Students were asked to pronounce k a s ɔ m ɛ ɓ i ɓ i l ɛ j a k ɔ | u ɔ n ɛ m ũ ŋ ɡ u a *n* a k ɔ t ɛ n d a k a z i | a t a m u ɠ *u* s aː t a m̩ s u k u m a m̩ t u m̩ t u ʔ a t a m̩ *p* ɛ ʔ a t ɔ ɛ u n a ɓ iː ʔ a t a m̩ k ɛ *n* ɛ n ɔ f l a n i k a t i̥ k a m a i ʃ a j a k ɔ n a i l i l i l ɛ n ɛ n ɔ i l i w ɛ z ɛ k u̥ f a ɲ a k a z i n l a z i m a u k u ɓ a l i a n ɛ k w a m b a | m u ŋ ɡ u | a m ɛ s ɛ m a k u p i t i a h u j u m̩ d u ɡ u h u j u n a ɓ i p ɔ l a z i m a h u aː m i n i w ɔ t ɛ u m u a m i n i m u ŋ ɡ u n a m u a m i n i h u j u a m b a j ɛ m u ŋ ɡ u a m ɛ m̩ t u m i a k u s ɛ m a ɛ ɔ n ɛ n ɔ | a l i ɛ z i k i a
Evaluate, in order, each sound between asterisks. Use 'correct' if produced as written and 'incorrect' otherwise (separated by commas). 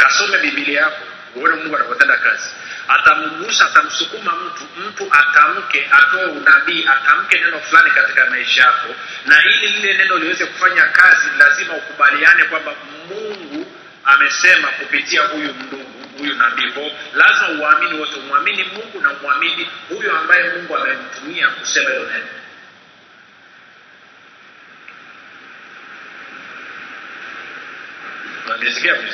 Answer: correct, correct, incorrect, correct